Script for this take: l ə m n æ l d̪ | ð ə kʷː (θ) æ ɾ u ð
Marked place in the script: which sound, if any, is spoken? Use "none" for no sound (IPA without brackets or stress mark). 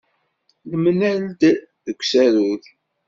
s